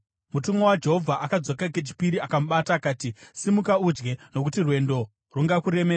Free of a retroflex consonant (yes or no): yes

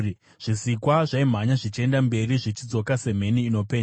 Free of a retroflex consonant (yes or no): no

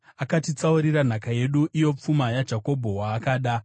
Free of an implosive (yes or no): no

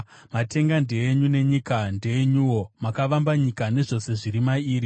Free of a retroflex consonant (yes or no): no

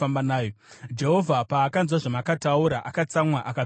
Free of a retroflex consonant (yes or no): no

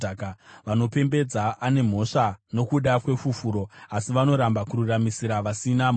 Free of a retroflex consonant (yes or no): no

